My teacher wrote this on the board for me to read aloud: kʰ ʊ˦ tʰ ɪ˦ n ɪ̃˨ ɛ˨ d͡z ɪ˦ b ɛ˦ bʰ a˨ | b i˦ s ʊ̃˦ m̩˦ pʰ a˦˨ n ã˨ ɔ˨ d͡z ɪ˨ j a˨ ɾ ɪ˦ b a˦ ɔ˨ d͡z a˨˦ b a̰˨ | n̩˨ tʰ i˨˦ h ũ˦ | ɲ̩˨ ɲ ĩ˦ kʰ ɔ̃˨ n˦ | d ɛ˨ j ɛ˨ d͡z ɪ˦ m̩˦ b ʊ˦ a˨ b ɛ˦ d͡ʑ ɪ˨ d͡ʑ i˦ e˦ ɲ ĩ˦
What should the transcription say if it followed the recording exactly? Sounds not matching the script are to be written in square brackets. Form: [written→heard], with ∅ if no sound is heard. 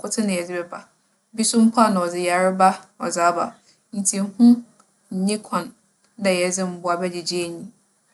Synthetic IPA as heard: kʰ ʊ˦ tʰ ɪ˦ n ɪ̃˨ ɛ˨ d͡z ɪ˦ b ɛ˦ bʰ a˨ | b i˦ s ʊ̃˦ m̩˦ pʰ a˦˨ n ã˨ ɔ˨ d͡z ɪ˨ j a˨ ɾ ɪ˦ b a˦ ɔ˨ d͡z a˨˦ b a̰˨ | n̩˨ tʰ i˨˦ h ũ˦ | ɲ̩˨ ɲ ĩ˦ kʰ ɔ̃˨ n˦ | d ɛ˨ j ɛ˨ d͡z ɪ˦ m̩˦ b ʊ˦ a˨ b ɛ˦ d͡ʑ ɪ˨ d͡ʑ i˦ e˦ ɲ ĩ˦